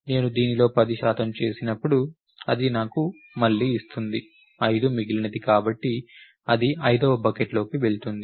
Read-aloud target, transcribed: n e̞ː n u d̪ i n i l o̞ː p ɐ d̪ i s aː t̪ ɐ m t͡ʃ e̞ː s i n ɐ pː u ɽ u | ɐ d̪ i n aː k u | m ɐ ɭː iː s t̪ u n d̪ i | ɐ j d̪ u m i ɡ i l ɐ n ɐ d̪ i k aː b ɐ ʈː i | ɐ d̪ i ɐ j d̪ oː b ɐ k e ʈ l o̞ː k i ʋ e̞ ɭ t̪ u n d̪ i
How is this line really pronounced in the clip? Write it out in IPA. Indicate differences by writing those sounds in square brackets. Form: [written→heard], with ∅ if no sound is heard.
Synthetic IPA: n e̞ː n u d̪ [i→iː] n i l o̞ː p ɐ d̪ i [s→ʃ] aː t̪ ɐ m t͡ʃ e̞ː s i n ɐ pː u ɽ u | ɐ d̪ i n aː k u | m ɐ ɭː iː s t̪ u n d̪ i | ɐ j d̪ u m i ɡ i l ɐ n ɐ d̪ i k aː b ɐ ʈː i | ɐ d̪ i ɐ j d̪ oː b ɐ k e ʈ l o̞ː k i ʋ e̞ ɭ t̪ u n d̪ i